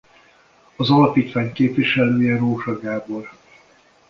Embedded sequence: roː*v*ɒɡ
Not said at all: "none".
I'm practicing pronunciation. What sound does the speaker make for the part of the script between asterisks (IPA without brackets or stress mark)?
ʒ